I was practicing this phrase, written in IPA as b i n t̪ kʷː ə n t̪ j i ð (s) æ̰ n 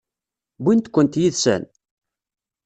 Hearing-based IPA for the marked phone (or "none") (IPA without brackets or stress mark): s